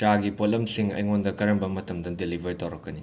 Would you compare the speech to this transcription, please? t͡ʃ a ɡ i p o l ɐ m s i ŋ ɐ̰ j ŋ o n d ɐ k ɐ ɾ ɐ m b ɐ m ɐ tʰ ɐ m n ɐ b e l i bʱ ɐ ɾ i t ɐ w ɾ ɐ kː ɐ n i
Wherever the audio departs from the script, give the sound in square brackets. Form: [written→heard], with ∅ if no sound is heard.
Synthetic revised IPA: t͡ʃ a ɡ i p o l ɐ m s i ŋ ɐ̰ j ŋ o n d ɐ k ɐ ɾ ɐ m b ɐ m ɐ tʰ ɐ m [n→d] ɐ [b→d] e l i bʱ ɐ ɾ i t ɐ w ɾ ɐ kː ɐ n i